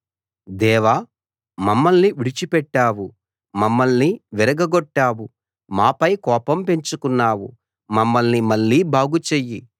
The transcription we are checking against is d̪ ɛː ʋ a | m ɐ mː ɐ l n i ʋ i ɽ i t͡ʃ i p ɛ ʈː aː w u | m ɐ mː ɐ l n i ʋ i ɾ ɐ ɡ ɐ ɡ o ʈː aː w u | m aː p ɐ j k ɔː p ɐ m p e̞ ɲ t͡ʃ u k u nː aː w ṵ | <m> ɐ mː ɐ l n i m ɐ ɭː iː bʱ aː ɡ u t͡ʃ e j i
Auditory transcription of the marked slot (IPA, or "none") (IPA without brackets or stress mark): m